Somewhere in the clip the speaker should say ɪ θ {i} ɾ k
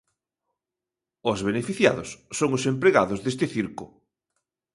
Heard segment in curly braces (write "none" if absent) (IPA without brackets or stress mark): i